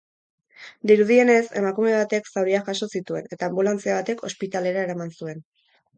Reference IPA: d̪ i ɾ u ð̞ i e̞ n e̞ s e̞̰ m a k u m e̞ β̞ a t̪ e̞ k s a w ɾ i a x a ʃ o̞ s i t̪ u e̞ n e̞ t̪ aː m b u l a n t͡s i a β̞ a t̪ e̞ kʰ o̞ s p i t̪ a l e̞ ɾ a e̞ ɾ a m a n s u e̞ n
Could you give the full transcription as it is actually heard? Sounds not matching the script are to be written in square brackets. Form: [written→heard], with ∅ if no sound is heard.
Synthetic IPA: d̪ i ɾ u ð̞ i e̞ n e̞ s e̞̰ m a k u m e̞ β̞ a t̪ e̞ k s a w ɾ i a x a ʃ o̞ s i t̪ u e̞ n e̞ t̪ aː m b u l a n t͡s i a β̞ a t̪ e̞ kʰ o̞ s p i t̪ a l e̞ ɾ a e̞ ɾ a m a n s u e̞ n